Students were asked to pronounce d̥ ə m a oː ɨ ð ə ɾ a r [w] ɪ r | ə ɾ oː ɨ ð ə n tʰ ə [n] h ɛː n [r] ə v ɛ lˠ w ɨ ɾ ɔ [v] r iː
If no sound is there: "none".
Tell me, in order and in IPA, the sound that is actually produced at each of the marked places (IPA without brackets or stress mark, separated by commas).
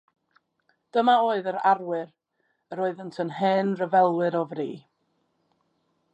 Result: w, n, r, v